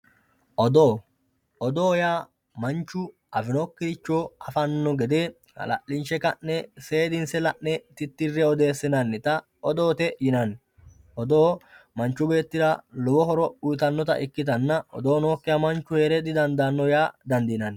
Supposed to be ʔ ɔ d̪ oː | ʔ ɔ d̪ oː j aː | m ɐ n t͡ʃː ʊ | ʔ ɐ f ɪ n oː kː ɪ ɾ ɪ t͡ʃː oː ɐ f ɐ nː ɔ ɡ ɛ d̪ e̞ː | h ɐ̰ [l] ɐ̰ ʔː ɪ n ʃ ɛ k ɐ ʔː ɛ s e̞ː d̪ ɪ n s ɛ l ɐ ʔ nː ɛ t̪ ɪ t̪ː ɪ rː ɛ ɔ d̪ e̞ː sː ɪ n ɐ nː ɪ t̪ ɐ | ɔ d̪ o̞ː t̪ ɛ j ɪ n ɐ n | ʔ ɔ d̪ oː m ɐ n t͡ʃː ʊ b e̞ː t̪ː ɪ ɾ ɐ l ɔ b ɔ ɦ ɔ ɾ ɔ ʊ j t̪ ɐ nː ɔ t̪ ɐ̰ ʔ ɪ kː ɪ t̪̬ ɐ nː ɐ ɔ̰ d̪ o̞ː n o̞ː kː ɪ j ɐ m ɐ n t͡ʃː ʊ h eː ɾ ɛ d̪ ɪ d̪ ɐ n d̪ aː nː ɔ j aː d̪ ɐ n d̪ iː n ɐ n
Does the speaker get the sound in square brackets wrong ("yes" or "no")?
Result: no